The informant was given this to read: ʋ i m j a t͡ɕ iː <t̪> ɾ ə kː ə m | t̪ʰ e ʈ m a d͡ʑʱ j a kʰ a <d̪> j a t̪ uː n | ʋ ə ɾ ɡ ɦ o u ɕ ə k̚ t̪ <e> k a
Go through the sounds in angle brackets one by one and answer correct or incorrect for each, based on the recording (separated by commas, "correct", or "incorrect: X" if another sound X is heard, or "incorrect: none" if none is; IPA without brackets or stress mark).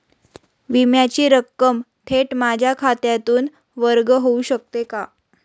incorrect: none, incorrect: t̪, correct